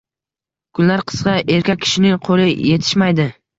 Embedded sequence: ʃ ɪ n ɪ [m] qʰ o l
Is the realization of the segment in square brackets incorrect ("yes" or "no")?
yes